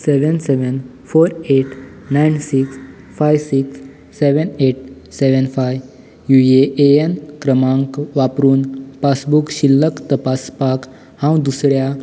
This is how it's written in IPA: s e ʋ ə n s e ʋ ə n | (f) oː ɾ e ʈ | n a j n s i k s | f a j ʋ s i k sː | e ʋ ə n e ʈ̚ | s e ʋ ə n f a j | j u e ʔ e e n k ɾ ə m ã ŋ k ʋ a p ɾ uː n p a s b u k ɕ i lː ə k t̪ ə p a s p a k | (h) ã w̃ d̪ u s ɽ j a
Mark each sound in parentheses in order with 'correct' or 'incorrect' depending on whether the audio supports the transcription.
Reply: correct, correct

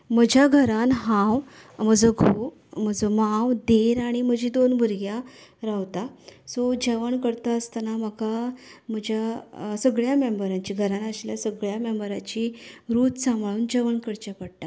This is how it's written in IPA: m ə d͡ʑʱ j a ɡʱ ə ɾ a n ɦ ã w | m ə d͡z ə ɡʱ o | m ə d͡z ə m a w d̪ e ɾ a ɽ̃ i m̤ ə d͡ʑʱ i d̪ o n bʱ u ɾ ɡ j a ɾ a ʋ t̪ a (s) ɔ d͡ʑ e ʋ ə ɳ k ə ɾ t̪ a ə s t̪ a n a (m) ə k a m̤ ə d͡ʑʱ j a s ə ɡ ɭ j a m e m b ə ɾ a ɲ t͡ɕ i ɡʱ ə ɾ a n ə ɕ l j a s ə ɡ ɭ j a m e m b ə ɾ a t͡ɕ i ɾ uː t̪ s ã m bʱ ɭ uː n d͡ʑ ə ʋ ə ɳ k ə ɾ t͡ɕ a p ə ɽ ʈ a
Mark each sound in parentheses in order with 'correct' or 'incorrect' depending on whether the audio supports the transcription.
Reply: correct, correct

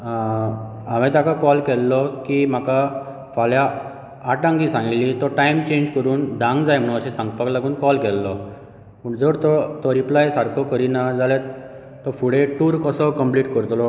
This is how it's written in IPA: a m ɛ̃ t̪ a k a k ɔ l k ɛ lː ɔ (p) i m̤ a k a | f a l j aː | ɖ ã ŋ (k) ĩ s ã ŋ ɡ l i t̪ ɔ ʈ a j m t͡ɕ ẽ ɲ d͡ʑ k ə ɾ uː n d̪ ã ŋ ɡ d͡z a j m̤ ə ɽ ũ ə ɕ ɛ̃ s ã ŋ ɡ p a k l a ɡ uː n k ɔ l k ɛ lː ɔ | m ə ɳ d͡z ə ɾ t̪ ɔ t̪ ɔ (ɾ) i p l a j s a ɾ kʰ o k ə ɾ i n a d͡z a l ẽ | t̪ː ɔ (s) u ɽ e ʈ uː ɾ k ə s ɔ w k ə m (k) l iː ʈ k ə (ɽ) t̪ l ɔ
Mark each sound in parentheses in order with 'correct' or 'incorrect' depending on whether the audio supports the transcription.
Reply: incorrect, incorrect, correct, incorrect, incorrect, incorrect

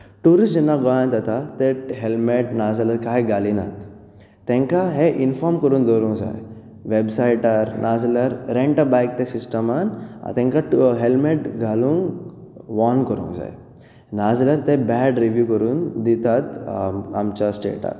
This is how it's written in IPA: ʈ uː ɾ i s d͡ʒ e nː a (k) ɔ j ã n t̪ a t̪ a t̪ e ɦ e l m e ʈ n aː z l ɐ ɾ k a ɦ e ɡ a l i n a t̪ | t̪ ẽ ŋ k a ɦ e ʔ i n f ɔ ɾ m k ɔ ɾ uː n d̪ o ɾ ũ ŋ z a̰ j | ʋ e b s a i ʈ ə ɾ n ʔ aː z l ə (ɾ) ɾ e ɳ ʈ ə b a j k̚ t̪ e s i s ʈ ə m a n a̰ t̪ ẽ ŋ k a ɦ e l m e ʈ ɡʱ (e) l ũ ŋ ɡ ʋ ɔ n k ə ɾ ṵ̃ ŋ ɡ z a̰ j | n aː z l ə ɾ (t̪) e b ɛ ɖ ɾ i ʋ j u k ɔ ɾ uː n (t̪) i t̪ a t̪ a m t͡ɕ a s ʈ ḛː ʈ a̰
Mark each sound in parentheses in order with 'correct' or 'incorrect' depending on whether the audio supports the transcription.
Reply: incorrect, correct, incorrect, correct, incorrect

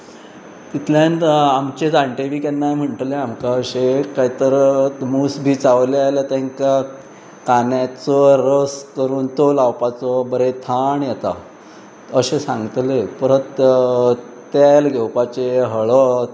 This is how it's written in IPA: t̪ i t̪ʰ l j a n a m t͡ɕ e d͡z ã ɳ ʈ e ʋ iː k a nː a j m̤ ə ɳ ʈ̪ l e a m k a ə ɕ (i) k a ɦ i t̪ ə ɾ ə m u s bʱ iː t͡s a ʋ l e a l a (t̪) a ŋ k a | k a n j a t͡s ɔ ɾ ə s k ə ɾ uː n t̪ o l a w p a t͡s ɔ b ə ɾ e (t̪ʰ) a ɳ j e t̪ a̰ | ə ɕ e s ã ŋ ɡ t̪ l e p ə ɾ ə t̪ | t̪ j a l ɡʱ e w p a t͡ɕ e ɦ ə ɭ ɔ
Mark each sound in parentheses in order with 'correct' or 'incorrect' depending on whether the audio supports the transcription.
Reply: incorrect, correct, correct

